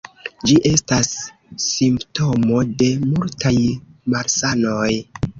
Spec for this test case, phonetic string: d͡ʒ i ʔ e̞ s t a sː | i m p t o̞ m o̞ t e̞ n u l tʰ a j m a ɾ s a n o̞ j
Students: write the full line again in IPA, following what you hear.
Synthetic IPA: d͡ʒ i ʔ e̞ s t a sː | i m p t o̞ m o̞ d e̞ m u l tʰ a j m a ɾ s a n o̞ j